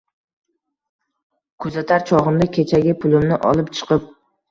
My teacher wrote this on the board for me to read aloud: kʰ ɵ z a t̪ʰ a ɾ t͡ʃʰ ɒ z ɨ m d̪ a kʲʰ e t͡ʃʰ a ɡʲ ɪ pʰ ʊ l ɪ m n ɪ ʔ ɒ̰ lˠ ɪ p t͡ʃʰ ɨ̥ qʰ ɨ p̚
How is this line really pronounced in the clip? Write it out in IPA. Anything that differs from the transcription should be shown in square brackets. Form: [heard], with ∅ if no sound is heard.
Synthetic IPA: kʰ ɵ z a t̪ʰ a ɾ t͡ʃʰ ɒ [ʁ] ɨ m d̪ a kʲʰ e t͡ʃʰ a ɡʲ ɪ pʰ ʊ l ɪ m n ɪ ʔ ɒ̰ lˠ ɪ p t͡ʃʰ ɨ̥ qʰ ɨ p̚